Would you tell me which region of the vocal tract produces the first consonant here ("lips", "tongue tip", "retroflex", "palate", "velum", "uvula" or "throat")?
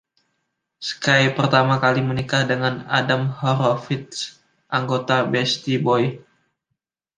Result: tongue tip